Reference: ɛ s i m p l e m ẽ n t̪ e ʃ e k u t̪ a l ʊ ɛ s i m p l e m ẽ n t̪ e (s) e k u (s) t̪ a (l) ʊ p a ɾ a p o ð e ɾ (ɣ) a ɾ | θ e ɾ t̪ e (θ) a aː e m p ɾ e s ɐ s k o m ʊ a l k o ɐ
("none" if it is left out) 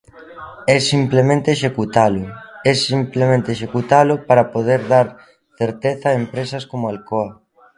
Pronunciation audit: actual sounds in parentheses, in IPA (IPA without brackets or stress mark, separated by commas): ʃ, none, l, ð, θ